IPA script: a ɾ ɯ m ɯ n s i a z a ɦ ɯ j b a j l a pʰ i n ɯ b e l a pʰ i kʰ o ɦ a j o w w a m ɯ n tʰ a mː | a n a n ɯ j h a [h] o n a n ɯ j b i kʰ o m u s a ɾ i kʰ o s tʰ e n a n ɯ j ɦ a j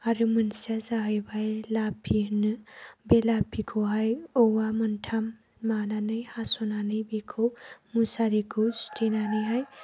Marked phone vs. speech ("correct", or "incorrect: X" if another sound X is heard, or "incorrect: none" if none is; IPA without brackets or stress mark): incorrect: s